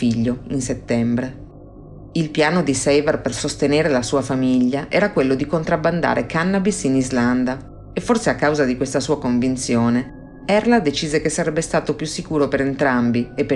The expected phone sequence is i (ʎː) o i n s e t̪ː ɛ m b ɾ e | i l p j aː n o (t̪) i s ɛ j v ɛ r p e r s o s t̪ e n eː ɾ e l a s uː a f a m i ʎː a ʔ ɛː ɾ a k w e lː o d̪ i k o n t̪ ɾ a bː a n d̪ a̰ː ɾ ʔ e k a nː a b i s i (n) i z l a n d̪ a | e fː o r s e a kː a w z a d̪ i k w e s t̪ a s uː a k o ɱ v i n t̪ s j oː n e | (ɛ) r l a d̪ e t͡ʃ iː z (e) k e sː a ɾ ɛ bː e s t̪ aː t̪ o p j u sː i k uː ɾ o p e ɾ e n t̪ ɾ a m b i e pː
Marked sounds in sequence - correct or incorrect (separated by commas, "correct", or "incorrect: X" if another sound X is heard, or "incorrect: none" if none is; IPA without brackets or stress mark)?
correct, incorrect: d̪, correct, correct, correct